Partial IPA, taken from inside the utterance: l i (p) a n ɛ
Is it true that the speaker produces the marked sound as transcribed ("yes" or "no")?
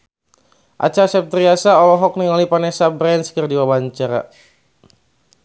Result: yes